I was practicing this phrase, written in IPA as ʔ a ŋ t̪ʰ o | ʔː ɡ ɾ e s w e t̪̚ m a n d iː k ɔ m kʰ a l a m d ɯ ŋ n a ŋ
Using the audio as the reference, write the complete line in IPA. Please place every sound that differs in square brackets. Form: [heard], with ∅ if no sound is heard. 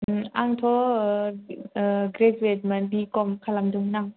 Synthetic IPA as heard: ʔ a ŋ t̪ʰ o | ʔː ɡ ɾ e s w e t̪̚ m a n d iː k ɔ m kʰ a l a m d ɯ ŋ n a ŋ